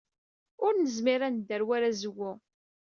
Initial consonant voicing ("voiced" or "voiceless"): voiced